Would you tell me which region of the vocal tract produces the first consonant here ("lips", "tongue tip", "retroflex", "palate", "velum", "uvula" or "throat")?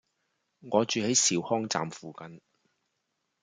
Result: velum